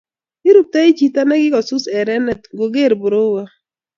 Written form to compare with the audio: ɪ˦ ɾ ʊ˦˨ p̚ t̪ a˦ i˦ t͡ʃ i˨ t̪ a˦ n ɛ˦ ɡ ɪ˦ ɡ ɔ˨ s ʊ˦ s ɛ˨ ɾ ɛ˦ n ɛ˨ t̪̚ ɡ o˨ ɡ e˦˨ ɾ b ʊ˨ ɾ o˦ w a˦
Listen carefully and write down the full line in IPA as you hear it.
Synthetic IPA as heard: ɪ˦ ɾ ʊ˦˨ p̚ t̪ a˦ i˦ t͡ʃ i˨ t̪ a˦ n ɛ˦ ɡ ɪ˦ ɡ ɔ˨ s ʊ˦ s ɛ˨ ɾ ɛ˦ n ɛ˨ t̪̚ ɡ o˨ ɡ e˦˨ ɾ b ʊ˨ ɾ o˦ w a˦

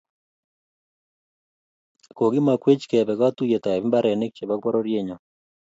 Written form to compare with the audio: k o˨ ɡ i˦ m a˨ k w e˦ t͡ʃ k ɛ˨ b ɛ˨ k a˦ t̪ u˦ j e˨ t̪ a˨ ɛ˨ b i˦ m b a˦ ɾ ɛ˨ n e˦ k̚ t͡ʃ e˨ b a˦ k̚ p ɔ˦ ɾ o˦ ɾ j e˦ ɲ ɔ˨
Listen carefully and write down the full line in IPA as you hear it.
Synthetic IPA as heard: k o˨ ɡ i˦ m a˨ k w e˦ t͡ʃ k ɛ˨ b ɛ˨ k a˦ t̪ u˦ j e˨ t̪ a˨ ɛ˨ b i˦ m b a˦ ɾ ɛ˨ n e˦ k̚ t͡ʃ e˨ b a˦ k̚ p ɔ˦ ɾ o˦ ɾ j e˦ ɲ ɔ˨

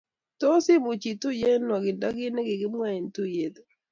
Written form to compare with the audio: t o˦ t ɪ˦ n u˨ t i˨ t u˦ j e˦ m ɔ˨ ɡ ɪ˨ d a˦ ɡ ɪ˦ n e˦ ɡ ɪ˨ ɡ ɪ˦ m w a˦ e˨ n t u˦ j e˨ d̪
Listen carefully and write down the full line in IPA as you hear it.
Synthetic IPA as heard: t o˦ s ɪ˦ m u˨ t͡ʃ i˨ t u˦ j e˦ n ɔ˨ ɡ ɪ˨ d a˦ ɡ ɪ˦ n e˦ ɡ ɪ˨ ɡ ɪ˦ m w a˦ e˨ n t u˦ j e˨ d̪

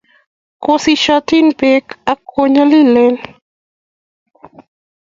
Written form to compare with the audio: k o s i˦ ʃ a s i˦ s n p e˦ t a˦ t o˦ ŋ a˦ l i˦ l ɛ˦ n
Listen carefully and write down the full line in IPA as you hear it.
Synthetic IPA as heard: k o s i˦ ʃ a t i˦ n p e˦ k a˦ k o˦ ɲ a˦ l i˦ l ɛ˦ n

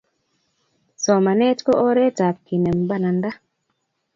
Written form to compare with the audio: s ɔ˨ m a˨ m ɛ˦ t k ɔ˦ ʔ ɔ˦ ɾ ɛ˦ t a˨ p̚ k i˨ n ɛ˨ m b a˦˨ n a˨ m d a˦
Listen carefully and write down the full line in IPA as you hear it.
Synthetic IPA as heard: s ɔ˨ m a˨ n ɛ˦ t k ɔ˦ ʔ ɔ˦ ɾ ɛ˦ t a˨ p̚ k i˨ n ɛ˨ m b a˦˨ n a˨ n d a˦

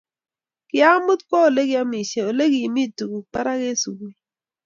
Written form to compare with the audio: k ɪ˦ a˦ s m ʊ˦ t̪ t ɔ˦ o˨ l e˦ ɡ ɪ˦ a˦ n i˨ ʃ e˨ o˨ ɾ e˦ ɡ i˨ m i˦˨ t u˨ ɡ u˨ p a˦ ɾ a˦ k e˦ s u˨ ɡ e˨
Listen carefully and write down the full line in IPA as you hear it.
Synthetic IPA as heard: k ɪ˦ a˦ m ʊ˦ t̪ k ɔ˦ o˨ l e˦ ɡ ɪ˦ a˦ m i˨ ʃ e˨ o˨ l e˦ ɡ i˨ m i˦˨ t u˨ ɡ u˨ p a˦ ɾ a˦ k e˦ s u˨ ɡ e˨

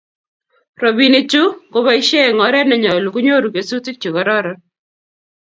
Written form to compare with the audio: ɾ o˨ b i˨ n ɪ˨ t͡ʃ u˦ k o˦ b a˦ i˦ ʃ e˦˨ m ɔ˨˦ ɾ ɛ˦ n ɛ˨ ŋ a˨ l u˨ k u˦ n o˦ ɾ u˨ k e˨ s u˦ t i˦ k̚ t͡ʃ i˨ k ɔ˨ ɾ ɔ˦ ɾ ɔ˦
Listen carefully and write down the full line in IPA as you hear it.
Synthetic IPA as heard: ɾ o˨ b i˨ n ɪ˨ t͡ʃ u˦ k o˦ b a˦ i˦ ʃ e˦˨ ŋ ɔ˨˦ ɾ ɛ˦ n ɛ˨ ɲ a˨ l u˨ k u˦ ɲ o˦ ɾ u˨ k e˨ s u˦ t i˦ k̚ t͡ʃ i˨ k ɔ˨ ɾ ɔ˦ ɾ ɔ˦

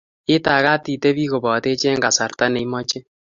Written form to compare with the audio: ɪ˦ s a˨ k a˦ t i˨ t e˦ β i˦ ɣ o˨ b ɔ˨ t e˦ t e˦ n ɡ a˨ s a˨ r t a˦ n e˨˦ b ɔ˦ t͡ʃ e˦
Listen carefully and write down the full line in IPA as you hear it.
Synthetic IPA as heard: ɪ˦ t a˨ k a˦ t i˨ t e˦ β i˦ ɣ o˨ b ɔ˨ t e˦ t͡ʃ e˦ ŋ ɡ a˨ s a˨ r t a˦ n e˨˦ m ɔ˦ t͡ʃ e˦

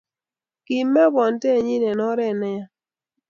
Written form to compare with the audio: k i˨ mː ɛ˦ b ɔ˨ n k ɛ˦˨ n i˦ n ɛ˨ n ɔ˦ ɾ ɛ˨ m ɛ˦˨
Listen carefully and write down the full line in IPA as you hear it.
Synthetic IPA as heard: k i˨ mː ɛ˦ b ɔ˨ n t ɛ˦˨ ɲ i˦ n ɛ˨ n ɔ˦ ɾ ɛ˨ n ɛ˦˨

